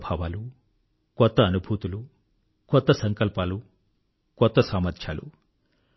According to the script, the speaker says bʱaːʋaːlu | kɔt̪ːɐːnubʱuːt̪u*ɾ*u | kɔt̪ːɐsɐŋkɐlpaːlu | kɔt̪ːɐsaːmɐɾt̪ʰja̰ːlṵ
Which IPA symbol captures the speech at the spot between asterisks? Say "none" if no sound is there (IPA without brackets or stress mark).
l